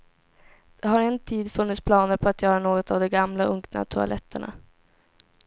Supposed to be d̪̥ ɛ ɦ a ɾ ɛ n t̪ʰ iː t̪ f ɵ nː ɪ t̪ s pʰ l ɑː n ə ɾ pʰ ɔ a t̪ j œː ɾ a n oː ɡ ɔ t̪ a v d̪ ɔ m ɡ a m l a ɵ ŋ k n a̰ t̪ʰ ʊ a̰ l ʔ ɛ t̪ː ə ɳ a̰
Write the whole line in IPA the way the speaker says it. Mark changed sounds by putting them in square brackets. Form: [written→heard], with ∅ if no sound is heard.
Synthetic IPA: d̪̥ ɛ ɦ a ɾ ɛ n t̪ʰ iː [t̪→d̪] f ɵ nː ɪ t̪ s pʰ l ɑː n ə ɾ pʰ ɔ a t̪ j œː ɾ a n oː ɡ ɔ t̪ a v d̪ ɔ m ɡ a m l a ɵ ŋ k n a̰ t̪ʰ ʊ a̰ l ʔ ɛ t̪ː ə ɳ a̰